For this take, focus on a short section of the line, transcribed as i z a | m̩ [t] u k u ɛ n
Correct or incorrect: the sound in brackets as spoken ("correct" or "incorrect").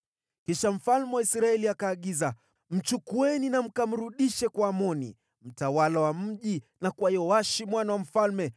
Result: incorrect